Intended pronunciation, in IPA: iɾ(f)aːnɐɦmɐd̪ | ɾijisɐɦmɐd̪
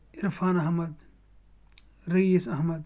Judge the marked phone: correct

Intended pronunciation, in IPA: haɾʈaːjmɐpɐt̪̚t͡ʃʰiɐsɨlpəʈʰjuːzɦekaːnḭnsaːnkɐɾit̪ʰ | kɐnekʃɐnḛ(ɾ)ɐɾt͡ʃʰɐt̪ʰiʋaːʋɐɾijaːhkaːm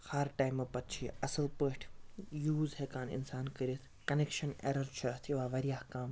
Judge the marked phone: correct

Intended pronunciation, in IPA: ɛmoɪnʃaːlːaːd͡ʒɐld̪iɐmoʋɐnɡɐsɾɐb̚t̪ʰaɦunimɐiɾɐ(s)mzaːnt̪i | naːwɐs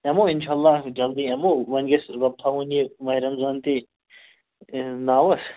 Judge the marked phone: incorrect: none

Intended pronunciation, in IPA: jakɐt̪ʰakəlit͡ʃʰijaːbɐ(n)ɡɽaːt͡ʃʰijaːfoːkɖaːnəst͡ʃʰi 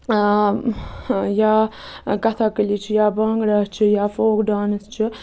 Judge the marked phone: incorrect: ŋ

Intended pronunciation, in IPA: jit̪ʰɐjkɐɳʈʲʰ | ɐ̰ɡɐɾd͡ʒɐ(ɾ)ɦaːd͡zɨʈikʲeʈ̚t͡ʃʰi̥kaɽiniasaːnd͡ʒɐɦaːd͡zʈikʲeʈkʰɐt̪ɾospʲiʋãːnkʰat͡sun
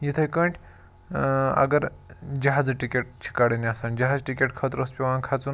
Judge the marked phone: incorrect: none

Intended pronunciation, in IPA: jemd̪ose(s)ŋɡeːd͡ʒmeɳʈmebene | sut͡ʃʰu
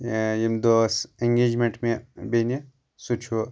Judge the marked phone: incorrect: none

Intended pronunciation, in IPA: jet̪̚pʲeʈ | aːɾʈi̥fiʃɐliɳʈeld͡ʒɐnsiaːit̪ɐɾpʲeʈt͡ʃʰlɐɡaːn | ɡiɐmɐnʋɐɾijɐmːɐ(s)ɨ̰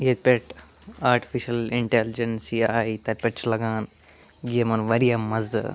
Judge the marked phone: incorrect: z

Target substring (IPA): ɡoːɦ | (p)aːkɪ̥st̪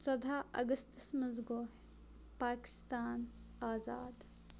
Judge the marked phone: correct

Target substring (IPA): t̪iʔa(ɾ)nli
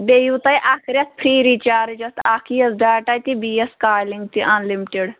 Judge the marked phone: incorrect: none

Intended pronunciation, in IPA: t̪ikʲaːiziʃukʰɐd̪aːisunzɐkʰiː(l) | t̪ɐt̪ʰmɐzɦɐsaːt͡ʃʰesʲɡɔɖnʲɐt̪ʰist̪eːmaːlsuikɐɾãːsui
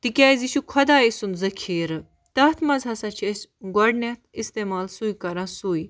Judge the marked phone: incorrect: ɾ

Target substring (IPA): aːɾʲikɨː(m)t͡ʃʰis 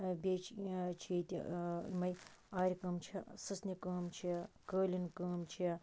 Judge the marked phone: correct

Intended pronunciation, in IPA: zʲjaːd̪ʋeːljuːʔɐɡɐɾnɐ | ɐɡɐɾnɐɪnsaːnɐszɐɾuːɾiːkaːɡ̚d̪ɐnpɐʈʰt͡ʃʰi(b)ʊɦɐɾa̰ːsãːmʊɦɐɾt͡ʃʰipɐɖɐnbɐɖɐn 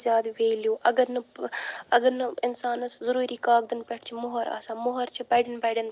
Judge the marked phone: incorrect: m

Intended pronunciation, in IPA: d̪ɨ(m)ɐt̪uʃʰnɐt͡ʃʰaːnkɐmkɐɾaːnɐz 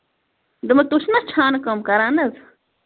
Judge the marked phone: correct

